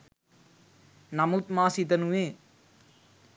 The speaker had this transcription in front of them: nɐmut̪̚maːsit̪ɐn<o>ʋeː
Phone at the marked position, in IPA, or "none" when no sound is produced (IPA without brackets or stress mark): u